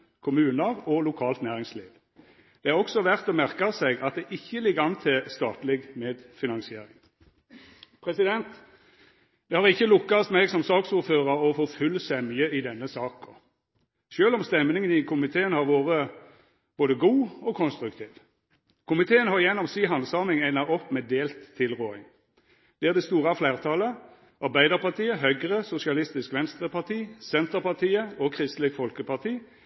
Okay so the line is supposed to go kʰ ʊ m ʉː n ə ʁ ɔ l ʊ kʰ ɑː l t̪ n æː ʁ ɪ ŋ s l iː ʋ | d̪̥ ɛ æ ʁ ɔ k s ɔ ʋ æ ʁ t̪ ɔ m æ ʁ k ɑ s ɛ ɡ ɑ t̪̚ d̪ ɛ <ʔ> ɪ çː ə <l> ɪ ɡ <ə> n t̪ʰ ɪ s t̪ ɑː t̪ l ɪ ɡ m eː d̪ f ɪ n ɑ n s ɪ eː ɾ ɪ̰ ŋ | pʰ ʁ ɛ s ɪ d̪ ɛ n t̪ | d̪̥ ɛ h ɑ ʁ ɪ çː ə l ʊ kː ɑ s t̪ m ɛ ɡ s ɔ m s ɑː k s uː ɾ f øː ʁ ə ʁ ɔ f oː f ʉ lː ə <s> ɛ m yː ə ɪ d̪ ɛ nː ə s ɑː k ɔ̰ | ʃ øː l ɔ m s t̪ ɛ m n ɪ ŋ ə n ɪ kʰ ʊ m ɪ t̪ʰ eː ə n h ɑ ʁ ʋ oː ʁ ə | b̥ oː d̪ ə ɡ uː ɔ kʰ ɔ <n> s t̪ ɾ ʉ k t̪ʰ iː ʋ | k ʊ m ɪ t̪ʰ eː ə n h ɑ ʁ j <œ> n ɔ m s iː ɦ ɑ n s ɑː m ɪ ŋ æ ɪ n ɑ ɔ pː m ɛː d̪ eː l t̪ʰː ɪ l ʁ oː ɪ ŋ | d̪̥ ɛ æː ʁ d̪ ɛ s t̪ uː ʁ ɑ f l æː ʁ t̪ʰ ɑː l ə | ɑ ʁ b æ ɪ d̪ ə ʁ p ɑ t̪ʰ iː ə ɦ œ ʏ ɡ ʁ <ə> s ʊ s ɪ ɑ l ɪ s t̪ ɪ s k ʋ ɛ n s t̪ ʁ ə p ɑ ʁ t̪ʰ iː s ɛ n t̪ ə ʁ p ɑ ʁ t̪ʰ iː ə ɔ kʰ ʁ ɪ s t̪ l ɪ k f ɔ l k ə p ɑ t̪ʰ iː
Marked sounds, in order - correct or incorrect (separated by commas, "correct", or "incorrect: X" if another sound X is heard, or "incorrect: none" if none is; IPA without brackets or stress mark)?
correct, correct, incorrect: ɑ, correct, correct, incorrect: ɛ, correct